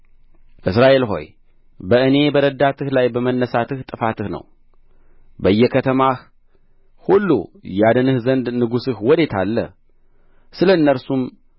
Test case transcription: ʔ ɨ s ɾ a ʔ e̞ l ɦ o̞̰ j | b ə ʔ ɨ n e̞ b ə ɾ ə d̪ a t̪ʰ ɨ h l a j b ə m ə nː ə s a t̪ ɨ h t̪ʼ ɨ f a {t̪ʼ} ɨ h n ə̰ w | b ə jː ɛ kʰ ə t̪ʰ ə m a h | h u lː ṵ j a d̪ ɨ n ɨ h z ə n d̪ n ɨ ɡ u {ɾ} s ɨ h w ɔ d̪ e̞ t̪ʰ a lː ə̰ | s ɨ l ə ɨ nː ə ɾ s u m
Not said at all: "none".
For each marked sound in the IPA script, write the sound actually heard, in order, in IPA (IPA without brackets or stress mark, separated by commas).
t̪, none